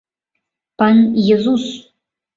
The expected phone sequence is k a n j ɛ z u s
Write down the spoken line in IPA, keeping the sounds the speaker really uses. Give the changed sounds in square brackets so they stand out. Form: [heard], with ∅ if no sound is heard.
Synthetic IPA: [p] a n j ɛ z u s